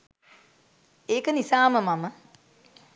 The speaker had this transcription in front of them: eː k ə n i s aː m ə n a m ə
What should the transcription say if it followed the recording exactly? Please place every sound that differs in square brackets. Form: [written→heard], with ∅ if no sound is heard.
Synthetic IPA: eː k ə n i s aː m ə [n→m] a m ə